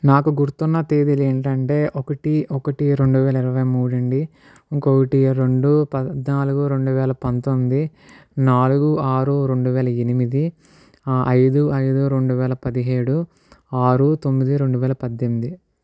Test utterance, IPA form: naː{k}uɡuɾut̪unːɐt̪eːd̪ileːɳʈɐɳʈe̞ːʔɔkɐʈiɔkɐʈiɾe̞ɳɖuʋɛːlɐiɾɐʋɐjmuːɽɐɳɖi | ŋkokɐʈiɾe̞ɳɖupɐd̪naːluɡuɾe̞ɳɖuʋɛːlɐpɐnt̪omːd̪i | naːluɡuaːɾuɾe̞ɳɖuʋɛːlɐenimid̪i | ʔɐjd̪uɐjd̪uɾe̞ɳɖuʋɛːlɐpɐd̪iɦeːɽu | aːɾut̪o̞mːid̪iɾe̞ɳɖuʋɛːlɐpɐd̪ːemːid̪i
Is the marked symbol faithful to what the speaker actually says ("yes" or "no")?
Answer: yes